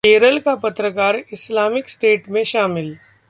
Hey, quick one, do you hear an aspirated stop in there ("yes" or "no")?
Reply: no